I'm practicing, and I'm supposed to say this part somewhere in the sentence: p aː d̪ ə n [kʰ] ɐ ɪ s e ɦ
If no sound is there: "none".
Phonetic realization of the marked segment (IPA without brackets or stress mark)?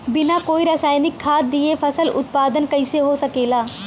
k